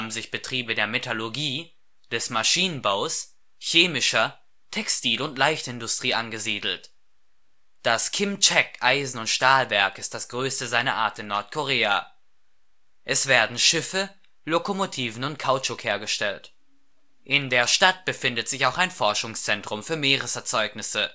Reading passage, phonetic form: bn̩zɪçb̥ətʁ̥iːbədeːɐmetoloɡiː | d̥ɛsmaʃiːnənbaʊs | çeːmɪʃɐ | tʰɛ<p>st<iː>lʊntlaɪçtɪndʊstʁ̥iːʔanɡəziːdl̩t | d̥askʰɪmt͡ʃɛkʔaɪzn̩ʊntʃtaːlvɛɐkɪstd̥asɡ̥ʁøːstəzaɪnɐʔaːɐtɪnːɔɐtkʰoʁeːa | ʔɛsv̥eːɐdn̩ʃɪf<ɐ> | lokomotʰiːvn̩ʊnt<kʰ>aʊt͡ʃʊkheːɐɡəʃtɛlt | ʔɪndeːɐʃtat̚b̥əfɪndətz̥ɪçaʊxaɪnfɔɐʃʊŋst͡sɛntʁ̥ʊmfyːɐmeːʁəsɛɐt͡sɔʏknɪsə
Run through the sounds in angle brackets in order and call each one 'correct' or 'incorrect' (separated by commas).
incorrect, correct, incorrect, correct